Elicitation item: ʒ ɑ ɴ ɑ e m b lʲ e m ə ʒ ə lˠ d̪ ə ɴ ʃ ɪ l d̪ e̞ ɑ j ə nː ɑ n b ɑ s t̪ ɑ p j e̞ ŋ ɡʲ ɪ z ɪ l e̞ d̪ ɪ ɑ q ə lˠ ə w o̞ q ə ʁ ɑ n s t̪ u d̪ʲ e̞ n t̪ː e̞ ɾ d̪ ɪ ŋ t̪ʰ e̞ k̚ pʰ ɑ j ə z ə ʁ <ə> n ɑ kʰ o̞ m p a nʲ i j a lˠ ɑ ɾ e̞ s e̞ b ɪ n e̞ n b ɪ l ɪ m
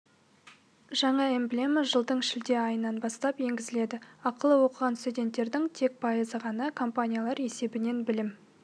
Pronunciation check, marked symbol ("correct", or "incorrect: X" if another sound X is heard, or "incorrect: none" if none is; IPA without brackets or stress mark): incorrect: ɑ